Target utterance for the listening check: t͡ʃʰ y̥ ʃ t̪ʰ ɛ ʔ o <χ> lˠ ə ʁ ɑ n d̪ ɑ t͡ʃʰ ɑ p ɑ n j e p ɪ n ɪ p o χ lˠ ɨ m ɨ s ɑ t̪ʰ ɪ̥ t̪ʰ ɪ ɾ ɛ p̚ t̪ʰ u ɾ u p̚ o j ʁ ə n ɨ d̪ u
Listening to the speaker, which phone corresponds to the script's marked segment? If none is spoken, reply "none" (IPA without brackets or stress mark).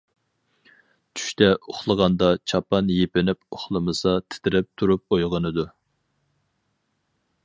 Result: χ